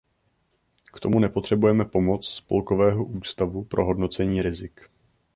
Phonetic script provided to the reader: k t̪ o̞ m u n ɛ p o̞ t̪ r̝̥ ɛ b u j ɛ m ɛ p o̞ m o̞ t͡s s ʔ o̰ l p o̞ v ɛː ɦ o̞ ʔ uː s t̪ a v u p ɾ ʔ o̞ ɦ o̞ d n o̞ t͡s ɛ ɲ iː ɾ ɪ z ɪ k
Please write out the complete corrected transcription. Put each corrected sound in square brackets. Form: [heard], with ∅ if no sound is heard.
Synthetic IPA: k t̪ o̞ m u n ɛ p o̞ t̪ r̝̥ ɛ b u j ɛ m ɛ p o̞ m o̞ t͡s s [p] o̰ l [k] o̞ v ɛː ɦ o̞ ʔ uː s t̪ a v u p ɾ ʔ o̞ ɦ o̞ d n o̞ t͡s ɛ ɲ iː ɾ ɪ z ɪ k